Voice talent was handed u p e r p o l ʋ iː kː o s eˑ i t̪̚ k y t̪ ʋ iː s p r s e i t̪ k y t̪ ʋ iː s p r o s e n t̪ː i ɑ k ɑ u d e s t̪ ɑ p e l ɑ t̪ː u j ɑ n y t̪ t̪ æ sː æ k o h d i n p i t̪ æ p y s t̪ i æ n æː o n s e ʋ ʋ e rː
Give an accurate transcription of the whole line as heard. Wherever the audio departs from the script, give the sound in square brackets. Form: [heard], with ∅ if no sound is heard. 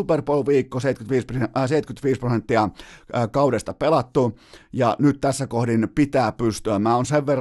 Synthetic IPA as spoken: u p e r p o l ʋ iː kː o s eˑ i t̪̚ k y t̪ ʋ iː s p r s e i t̪ k y t̪ ʋ iː s p r o s e n t̪ː i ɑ k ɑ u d e s t̪ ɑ p e l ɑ t̪ː u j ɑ n y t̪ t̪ æ sː æ k o h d i n p i t̪ [æː] p y s t̪ [y] æ [m] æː o n s e ʋ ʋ e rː